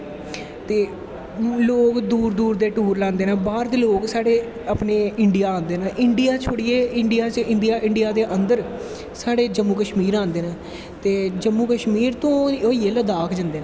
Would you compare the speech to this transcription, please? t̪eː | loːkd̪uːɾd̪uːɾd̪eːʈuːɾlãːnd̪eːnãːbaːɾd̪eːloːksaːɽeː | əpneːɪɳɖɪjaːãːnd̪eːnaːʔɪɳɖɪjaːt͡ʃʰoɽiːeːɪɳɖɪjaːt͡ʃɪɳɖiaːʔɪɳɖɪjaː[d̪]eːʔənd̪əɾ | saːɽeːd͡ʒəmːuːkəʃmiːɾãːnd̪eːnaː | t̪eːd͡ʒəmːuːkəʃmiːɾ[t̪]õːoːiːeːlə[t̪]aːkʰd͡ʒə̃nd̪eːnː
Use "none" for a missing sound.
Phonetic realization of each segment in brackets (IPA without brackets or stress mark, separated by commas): d̪, t̪, d̪